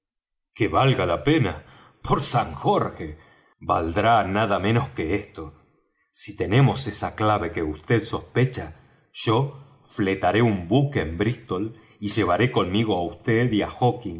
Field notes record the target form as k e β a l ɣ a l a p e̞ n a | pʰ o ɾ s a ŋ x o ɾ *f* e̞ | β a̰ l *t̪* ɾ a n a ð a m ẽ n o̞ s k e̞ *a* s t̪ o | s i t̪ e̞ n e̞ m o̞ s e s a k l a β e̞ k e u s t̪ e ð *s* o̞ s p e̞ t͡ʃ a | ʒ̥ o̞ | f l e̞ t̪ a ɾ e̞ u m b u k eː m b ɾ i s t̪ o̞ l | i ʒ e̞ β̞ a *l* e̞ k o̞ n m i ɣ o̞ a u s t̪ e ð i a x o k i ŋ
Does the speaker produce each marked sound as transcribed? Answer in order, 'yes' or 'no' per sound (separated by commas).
no, no, no, yes, no